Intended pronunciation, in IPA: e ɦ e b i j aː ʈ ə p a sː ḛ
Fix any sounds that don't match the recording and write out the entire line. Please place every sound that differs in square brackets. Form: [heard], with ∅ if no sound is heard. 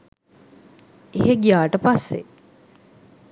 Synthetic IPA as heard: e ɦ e [ɡ] i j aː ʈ ə p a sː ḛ